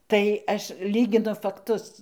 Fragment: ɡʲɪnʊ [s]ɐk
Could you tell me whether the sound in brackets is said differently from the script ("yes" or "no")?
yes